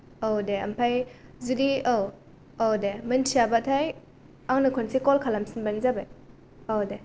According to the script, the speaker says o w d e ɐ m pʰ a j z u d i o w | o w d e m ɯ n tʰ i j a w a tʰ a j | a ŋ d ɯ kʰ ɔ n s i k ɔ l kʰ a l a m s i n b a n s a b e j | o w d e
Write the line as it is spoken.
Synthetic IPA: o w d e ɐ m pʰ a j z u d i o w | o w d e m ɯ n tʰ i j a b a tʰ a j | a ŋ n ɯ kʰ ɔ n s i k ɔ l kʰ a l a m s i n b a n z a b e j | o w d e